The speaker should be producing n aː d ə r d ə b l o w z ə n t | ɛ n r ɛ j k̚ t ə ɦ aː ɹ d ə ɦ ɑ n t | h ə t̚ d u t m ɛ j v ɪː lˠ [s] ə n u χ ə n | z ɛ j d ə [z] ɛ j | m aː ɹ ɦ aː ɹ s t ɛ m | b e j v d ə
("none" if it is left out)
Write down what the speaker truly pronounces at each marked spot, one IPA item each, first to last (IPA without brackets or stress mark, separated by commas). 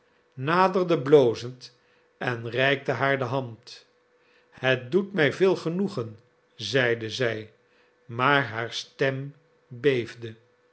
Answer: χ, z